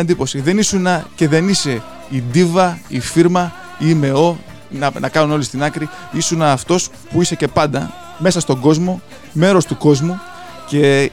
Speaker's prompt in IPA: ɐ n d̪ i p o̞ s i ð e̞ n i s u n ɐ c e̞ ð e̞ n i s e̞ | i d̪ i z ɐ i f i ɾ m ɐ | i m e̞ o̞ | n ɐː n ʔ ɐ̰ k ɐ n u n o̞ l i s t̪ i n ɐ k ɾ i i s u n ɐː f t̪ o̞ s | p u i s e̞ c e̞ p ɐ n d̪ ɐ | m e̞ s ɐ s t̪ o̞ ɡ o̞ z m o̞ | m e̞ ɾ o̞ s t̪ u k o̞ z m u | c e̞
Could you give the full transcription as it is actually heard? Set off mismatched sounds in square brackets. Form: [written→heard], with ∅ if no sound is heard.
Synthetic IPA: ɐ n d̪ i p o̞ s i ð e̞ n i s u n ɐ c e̞ ð e̞ n i s e̞ | i d̪ i [z→v] ɐ i f i ɾ m ɐ | i m e̞ o̞ | n [ɐː→ɐ] n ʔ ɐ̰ k ɐ n u n o̞ l i s t̪ i n ɐ k ɾ i i s u n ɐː f t̪ o̞ s | p u i s e̞ c e̞ p ɐ n d̪ ɐ | m e̞ s ɐ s t̪ o̞ ɡ o̞ z m o̞ | m e̞ ɾ o̞ s t̪ u k o̞ z m u | c e̞